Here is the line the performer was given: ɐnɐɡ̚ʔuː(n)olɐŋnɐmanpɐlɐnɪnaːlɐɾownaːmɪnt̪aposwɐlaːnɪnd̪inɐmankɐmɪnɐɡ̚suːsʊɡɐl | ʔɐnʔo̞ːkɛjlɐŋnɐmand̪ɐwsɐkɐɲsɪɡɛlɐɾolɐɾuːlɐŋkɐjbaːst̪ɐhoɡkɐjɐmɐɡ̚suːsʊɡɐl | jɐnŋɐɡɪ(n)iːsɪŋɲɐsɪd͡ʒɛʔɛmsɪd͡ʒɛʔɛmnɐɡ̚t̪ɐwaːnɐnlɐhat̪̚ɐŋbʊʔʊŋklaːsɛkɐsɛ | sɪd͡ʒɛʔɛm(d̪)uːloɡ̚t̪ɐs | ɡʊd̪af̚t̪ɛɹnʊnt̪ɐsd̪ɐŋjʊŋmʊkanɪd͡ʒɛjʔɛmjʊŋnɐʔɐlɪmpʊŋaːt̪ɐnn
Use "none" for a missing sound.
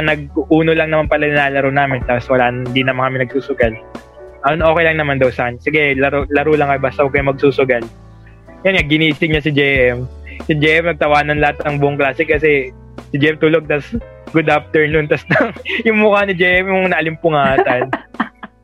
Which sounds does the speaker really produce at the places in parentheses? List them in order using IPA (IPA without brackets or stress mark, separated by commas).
n, n, t̪